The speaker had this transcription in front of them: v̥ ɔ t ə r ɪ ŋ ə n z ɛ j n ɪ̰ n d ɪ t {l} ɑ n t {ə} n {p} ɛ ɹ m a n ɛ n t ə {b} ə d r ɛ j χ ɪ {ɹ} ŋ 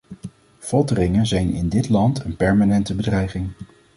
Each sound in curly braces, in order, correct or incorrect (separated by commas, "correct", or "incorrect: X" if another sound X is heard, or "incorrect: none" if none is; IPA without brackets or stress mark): correct, correct, correct, correct, incorrect: none